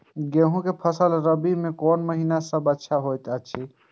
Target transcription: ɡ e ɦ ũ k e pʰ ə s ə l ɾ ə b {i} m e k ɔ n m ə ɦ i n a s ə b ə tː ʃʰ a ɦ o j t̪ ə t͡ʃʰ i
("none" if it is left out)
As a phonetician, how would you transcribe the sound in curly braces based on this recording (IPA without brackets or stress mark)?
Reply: i